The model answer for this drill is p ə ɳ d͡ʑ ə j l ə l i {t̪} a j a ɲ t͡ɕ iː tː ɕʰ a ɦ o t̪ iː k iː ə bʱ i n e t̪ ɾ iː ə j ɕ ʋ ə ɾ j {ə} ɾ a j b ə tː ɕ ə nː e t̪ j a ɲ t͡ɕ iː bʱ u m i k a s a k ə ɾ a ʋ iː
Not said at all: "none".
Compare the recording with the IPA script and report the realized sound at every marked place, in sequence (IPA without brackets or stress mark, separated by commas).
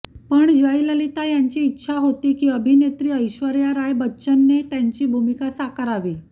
t̪, a